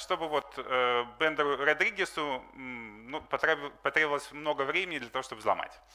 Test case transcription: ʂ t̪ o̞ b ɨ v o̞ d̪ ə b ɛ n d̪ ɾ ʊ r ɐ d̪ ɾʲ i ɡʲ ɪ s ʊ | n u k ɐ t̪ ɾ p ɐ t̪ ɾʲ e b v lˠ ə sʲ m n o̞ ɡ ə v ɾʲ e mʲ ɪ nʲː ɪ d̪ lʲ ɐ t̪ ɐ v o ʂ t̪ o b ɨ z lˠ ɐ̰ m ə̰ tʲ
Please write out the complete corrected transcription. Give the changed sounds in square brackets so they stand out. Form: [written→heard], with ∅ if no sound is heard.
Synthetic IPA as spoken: ʂ t̪ o̞ b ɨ v o̞ [d̪→t̪] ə b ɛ n d̪ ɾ ʊ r ɐ d̪ ɾʲ i ɡʲ ɪ s ʊ | n u [k→p] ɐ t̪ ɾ p ɐ t̪ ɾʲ e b v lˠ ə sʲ m n o̞ ɡ ə v ɾʲ e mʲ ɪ [nʲː→nʲ] ɪ d̪ lʲ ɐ t̪ ɐ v o ʂ t̪ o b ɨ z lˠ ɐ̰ m [ə̰→a̰] tʲ